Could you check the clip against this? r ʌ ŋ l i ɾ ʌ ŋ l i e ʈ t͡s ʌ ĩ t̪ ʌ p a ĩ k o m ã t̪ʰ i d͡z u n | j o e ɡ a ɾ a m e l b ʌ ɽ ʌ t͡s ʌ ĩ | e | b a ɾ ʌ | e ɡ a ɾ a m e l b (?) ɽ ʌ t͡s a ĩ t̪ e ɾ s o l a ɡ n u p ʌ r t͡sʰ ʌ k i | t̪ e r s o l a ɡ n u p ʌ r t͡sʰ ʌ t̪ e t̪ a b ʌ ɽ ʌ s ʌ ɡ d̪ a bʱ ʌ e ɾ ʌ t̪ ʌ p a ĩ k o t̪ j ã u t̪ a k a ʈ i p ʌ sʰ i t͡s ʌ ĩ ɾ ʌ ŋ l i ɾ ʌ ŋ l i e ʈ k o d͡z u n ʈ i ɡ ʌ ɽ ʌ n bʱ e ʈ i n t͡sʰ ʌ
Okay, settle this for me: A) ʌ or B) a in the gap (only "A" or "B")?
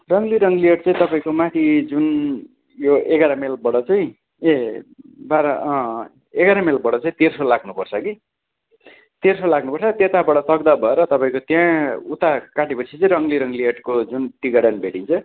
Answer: A